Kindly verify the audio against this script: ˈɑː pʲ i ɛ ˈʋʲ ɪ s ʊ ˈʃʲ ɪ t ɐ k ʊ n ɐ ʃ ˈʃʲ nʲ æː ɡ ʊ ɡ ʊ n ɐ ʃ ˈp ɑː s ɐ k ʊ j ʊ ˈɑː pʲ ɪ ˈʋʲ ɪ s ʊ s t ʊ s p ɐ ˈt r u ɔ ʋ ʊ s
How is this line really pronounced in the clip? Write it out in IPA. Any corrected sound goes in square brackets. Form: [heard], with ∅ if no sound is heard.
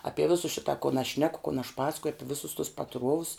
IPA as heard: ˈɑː pʲ i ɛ ˈʋʲ ɪ s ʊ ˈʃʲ ɪ t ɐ k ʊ n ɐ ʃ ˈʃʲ nʲ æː [k] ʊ [k] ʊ n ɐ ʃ ˈp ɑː s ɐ k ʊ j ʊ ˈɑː pʲ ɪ ˈʋʲ ɪ s ʊ s t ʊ s p ɐ ˈt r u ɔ ʋ ʊ s